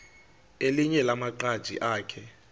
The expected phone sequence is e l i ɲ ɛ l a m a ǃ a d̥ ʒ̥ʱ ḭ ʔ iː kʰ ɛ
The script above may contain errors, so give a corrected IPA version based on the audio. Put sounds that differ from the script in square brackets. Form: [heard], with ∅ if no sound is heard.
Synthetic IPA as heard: e l i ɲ ɛ l a m a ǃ a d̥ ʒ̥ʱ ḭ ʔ [aː] kʰ ɛ